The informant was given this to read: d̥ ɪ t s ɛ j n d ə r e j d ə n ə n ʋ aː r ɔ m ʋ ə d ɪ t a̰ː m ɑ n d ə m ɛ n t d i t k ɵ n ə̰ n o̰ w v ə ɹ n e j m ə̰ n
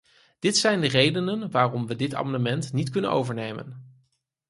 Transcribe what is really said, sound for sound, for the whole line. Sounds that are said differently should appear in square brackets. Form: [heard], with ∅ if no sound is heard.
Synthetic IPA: d̥ ɪ t s ɛ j n d ə r e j d ə n ə n ʋ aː r ɔ m ʋ ə d ɪ t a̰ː m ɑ n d ə m ɛ n t [n] i t k ɵ n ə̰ n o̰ w v ə ɹ n e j m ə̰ n